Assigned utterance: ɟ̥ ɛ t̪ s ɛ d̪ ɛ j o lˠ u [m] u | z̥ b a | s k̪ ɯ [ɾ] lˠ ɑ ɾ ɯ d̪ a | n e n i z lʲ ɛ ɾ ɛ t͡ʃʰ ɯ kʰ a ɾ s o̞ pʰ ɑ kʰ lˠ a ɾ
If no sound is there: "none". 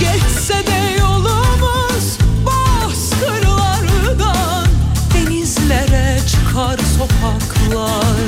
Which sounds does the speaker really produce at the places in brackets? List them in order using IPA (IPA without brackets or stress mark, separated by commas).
m, ɾ